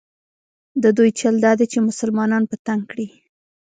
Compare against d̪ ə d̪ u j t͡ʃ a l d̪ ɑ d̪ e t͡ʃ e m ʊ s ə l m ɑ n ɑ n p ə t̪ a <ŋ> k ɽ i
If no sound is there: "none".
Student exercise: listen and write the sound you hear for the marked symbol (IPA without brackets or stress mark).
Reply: ŋ